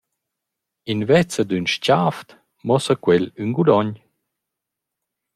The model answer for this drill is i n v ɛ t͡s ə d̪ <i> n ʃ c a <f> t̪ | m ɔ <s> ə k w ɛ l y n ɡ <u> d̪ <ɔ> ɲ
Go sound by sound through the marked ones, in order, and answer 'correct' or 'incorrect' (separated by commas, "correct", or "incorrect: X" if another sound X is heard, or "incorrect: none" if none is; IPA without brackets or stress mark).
incorrect: y, correct, correct, correct, correct